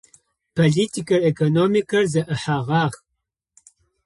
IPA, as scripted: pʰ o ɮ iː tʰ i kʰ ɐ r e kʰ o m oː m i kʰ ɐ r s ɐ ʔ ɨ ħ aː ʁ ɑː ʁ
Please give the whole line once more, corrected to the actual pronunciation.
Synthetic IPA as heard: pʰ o ɮ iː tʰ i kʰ ɐ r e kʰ o n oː m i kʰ ɐ r z ɐ ʔ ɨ ħ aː ʁ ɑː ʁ